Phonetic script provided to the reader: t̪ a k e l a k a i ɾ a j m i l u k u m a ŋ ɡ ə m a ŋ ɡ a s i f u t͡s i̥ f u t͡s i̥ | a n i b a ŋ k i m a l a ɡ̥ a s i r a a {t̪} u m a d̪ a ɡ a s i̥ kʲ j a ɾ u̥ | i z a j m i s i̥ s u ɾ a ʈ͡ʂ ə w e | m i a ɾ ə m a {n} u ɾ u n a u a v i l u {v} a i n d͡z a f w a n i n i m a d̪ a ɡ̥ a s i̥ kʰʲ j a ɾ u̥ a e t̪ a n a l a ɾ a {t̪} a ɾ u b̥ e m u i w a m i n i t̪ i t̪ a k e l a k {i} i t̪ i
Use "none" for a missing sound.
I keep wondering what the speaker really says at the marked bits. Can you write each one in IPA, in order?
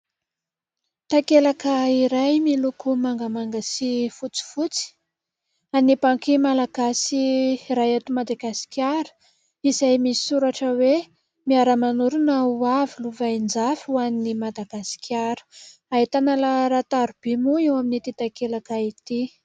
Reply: t̪, n, v, t̪, a

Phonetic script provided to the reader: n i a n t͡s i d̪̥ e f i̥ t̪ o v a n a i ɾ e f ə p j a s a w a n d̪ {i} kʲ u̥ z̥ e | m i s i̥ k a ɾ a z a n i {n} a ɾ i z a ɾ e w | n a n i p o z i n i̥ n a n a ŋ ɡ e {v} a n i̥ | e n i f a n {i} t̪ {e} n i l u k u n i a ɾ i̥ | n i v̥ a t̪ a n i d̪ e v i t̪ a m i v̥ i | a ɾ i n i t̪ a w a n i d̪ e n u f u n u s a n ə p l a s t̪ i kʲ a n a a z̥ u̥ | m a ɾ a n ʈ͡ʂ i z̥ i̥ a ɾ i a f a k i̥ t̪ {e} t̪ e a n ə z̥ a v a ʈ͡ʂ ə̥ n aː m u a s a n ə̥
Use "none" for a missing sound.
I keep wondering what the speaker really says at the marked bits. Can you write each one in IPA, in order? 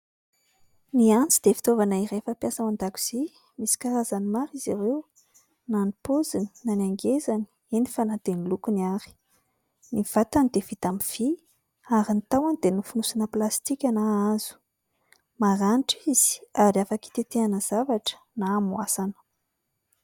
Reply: a, m, z, a, e, e

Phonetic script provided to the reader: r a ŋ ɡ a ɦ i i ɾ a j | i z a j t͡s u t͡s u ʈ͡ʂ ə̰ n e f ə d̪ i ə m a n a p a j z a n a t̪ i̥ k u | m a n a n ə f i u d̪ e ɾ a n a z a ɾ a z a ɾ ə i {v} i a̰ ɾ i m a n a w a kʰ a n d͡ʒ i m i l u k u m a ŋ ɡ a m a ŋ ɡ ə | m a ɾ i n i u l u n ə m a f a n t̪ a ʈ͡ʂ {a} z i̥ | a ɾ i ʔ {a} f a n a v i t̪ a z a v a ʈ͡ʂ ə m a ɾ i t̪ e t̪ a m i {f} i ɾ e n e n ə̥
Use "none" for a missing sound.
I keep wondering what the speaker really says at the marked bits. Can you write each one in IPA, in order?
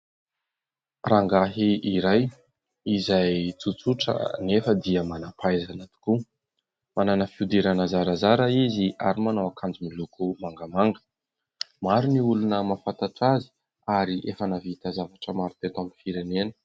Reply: z, a, e, f

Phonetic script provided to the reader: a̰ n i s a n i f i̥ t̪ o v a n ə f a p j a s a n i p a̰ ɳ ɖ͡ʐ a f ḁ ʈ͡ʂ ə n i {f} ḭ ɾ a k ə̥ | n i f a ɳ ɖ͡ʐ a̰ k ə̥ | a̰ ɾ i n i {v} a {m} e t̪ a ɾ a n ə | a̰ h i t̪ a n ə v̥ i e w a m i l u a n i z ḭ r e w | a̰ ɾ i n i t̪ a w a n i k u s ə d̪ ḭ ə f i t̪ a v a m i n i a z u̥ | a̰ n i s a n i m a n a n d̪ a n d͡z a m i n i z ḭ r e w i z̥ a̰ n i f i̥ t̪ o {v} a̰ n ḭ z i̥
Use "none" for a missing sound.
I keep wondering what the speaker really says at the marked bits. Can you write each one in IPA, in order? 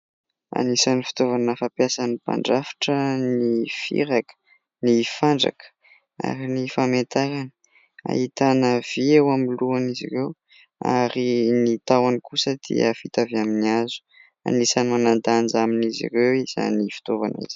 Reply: f, f, m, v

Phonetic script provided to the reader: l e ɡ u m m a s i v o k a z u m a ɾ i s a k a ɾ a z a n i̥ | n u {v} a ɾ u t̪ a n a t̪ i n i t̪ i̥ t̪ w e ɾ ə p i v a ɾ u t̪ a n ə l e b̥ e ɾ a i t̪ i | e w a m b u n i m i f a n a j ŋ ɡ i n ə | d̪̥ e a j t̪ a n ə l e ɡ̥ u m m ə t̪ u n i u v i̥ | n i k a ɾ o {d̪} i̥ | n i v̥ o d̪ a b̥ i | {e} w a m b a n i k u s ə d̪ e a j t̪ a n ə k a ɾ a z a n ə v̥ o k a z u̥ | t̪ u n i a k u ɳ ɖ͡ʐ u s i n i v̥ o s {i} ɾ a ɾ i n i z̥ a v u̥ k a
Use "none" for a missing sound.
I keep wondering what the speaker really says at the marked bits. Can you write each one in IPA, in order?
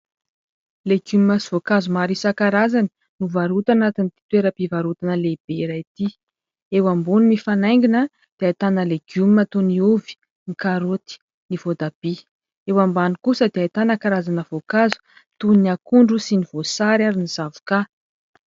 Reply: v, t̪, e, a

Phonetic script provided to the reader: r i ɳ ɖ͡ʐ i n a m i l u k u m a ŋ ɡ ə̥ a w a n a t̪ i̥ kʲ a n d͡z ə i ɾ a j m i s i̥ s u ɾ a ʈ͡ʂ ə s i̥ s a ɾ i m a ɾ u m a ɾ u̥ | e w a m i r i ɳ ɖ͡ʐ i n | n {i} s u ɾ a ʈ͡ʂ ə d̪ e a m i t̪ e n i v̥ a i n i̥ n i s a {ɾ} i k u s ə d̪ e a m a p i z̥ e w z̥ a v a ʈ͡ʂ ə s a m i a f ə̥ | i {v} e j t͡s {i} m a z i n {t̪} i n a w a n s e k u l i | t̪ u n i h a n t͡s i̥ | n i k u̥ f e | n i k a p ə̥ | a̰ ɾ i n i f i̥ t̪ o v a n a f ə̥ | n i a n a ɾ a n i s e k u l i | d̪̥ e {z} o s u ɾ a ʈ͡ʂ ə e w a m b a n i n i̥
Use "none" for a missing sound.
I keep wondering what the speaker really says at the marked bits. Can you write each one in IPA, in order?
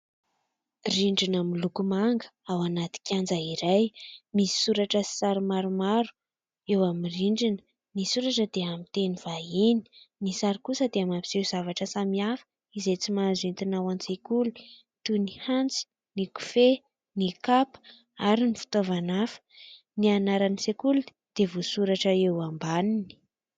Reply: i, ɾ, z, i, t̪, v

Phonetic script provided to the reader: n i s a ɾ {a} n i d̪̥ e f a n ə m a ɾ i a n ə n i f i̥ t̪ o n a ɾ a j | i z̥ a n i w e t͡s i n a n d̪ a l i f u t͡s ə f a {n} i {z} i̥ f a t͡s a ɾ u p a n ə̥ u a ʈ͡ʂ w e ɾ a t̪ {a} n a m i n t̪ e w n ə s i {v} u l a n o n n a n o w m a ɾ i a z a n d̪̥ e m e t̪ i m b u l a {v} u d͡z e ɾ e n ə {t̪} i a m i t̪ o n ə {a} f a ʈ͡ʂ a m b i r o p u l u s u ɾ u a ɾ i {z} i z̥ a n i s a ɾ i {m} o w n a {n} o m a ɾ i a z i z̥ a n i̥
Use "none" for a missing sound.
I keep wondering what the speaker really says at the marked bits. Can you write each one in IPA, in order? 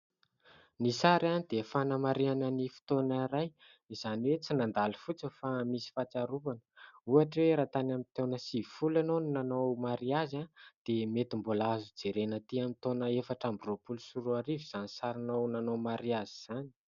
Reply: a, m, s, a, f, z, t̪, e, v, n, n

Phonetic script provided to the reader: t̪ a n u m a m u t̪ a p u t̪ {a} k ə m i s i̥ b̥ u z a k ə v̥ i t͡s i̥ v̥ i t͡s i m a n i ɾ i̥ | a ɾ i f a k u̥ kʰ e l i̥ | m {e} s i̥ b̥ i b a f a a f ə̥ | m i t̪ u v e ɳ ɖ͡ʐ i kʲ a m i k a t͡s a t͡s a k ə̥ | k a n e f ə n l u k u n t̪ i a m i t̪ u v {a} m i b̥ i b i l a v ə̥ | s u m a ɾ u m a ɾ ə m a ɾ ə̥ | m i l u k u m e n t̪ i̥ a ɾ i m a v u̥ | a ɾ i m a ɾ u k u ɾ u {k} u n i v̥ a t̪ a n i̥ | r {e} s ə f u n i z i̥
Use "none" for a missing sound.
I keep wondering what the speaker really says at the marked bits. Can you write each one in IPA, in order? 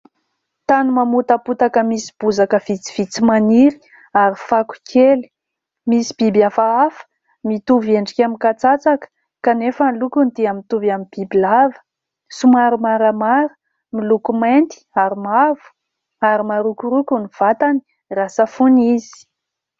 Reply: a, i, a, k, a

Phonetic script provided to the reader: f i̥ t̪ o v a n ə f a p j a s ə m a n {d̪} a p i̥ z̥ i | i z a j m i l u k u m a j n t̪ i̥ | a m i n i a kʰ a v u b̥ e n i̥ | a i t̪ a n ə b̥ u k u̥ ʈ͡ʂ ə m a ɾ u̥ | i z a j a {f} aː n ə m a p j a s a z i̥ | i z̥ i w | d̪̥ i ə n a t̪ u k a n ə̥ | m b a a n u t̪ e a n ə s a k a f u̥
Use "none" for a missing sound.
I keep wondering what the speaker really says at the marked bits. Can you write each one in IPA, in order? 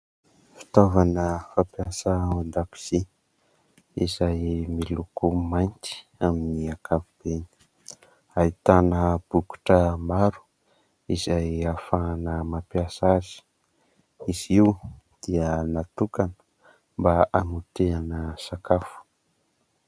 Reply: d̪, f

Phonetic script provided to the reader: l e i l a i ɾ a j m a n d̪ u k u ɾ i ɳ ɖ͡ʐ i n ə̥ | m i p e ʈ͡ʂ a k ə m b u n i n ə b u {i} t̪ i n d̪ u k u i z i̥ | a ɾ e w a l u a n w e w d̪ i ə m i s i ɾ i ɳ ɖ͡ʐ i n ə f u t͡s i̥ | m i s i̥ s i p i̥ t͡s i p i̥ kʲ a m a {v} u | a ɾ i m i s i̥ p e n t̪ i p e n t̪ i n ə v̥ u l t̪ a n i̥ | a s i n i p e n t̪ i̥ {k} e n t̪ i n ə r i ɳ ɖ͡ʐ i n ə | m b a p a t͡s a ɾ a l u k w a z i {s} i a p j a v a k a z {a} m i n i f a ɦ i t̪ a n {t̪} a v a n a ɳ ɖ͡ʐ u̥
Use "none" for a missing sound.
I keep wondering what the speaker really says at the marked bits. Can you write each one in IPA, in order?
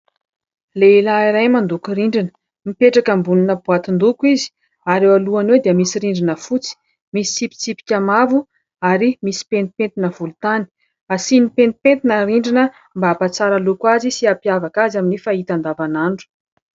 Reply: a, v, p, s, a, d̪

